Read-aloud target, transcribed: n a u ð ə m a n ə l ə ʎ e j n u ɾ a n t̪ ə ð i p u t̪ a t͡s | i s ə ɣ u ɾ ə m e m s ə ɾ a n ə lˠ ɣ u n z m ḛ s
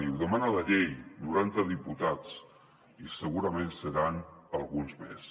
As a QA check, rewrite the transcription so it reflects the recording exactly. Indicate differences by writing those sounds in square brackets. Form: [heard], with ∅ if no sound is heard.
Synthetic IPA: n [i] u ð ə m a n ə l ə ʎ e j n u ɾ a n t̪ ə ð i p u t̪ a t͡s | i s ə ɣ u ɾ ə m e [n] s ə ɾ a n ə lˠ ɣ u n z m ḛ s